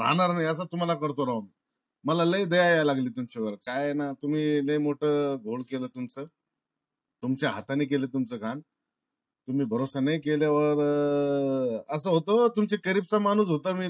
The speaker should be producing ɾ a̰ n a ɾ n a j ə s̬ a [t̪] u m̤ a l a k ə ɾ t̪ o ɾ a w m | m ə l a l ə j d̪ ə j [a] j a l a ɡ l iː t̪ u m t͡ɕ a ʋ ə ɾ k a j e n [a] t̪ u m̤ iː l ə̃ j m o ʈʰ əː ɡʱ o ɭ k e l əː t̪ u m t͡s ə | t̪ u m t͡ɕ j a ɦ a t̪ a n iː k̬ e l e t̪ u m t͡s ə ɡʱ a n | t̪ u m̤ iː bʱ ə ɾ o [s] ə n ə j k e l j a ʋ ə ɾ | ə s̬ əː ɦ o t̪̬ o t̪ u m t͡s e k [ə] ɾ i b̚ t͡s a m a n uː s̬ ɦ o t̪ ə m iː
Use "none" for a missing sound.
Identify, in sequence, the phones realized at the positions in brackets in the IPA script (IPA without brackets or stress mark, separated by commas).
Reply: t̪, a, a, s, ə